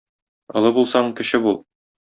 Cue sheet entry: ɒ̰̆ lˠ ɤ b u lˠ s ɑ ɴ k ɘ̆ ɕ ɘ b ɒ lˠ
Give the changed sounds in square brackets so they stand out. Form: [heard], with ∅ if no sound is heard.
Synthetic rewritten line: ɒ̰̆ lˠ ɤ b u lˠ s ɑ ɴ k ɘ̆ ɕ ɘ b [u] lˠ